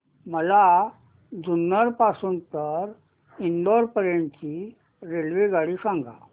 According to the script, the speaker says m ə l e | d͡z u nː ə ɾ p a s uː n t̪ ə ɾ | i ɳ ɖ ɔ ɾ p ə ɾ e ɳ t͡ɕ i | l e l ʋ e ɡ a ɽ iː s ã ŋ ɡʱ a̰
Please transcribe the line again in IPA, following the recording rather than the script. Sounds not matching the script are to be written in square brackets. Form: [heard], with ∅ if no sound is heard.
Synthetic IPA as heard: m ə l [a] | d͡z u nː ə ɾ p a s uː n t̪ ə ɾ | i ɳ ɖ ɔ ɾ p ə ɾ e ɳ t͡ɕ i | [ɾ] e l ʋ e ɡ a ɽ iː s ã ŋ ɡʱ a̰